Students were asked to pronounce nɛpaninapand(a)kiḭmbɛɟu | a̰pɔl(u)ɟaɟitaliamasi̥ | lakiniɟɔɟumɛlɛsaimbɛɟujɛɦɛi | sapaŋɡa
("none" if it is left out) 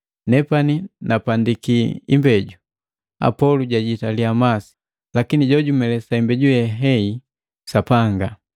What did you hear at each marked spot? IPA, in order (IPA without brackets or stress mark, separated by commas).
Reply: i, u